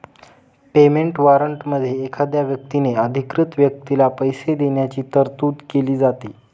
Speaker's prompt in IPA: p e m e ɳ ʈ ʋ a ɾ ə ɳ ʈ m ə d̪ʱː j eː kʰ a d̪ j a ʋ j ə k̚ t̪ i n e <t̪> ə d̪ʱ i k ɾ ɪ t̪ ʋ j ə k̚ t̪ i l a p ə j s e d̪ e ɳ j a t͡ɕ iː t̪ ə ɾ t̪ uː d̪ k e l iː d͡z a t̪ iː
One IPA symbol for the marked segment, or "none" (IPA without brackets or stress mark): none